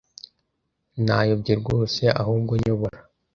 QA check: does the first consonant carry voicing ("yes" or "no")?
yes